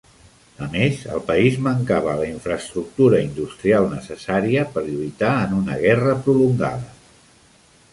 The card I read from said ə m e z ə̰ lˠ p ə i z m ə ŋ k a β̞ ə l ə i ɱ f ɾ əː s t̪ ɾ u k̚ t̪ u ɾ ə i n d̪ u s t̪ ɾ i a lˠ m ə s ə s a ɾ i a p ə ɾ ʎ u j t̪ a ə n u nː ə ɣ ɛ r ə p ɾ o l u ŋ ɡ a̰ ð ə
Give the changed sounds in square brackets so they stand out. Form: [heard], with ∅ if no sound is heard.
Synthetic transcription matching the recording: ə m e z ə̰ lˠ p ə i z m ə ŋ k a β̞ ə l ə i ɱ f ɾ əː s t̪ ɾ u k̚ t̪ u ɾ ə i n d̪ u s t̪ ɾ i a lˠ [n] ə s ə s a ɾ i [ə] p ə ɾ ʎ u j t̪ a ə n u [n] ə ɣ ɛ r ə p ɾ [u] l u ŋ ɡ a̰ ð ə